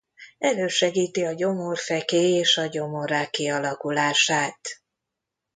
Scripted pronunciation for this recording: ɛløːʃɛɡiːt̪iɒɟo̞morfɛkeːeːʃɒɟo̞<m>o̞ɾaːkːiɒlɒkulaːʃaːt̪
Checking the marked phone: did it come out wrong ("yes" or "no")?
no